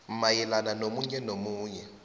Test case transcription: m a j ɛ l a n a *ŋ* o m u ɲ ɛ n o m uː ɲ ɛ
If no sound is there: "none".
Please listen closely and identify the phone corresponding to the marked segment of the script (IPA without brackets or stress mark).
n